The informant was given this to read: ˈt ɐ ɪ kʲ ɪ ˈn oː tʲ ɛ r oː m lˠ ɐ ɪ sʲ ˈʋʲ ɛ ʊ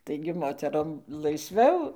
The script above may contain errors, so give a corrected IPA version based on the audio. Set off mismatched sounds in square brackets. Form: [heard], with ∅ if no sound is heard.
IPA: ˈt ɐ ɪ [ɡʲ] ɪ [ˈm] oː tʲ ɛ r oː m lˠ ɐ ɪ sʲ ˈʋʲ ɛ ʊ